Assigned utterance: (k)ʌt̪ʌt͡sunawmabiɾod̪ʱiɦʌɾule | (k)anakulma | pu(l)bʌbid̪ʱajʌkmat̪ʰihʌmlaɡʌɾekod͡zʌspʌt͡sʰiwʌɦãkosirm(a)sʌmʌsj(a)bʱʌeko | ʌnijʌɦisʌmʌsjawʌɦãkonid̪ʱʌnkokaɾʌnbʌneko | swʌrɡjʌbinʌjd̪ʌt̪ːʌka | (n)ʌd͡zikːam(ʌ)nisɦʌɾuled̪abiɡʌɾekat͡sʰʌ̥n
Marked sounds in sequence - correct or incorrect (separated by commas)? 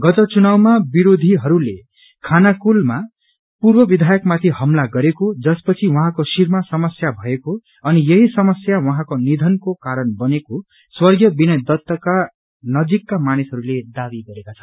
incorrect, incorrect, incorrect, correct, correct, correct, incorrect